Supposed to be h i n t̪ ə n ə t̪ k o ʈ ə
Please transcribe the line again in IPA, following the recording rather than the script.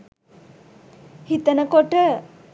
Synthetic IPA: h i t̪ ə n ə k o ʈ ə